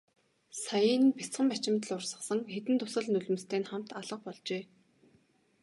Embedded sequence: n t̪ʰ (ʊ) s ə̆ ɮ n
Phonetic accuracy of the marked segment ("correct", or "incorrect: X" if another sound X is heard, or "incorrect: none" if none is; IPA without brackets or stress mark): correct